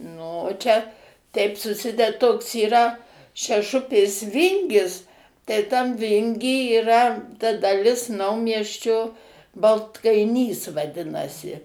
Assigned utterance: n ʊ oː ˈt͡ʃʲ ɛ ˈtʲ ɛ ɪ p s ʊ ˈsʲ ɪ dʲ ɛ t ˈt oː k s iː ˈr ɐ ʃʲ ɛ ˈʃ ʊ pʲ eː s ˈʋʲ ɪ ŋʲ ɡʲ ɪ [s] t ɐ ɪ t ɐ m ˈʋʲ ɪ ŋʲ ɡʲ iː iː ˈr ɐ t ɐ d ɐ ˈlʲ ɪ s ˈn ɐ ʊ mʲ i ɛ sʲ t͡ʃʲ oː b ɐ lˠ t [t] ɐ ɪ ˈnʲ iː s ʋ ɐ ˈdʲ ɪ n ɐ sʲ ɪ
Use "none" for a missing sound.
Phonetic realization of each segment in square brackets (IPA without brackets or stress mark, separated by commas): s, k